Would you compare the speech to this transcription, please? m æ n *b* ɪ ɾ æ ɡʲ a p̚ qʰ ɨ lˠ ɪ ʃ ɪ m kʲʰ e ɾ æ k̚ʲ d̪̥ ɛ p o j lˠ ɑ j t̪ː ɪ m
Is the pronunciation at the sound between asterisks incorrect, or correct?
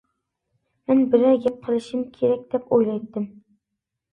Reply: correct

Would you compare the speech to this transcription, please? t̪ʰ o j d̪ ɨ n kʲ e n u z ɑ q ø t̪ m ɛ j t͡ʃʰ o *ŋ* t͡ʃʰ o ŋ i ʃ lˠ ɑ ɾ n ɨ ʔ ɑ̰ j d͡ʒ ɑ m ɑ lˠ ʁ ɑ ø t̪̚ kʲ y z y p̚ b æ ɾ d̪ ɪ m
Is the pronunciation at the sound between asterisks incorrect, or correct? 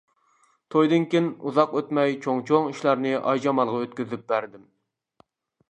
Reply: correct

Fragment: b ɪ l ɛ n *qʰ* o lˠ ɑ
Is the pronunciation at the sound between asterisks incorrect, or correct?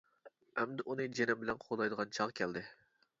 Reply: correct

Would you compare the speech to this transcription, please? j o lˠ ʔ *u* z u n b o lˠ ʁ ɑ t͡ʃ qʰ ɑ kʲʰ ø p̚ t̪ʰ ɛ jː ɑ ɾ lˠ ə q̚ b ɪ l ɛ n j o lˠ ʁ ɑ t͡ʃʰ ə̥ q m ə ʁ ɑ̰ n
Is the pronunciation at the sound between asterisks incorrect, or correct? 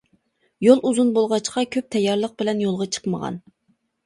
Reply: correct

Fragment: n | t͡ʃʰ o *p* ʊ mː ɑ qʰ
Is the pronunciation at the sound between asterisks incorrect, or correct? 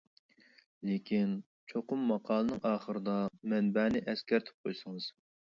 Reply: incorrect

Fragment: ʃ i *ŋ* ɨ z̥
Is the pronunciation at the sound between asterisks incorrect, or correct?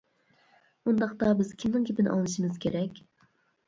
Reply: incorrect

